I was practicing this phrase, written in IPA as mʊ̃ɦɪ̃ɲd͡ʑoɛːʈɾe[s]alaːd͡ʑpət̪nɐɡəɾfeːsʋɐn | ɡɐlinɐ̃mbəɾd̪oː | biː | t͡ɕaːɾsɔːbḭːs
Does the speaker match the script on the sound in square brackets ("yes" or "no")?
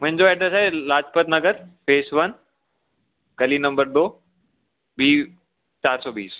yes